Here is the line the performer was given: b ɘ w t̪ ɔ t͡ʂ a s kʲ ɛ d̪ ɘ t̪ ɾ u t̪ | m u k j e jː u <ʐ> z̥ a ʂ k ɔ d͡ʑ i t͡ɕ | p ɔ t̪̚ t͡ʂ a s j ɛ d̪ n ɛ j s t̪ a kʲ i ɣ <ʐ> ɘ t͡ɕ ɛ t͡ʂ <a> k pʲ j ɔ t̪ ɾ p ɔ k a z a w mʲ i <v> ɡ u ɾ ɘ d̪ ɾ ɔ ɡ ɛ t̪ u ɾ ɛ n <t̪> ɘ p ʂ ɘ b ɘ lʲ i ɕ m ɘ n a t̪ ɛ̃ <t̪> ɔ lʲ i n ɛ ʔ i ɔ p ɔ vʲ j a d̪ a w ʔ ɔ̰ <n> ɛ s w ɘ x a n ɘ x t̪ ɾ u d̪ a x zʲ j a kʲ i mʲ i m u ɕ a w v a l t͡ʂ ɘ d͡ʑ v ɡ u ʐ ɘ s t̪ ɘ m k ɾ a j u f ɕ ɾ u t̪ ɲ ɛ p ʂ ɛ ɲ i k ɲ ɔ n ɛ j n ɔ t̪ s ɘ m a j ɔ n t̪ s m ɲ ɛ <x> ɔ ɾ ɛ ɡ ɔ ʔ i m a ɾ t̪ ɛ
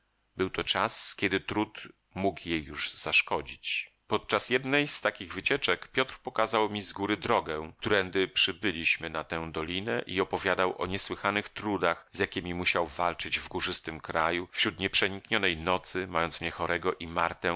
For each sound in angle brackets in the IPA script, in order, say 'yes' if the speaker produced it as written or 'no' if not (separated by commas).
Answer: yes, no, no, no, no, no, no, yes